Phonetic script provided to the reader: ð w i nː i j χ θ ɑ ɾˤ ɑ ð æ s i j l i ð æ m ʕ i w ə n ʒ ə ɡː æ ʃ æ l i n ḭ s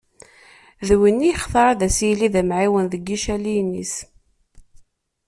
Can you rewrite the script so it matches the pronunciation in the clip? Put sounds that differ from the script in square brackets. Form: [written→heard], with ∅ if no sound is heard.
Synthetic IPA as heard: ð w i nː i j χ θ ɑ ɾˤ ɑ ð æ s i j l i ð æ m ʕ i w ə n [ʒ→ð] ə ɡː [æ→i] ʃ æ l i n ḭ s